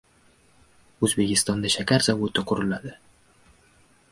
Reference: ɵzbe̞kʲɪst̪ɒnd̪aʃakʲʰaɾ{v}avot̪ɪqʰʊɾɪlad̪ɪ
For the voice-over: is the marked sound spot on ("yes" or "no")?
no